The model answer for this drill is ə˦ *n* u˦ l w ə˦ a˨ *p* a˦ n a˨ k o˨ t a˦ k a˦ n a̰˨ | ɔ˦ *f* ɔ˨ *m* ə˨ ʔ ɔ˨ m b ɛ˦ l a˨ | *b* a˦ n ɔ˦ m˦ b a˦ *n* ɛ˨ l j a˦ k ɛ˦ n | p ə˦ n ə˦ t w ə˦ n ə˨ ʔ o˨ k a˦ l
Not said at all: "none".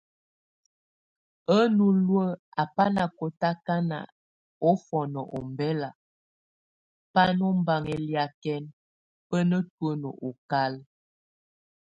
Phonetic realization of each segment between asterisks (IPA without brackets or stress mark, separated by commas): n, p, f, n, p, ŋ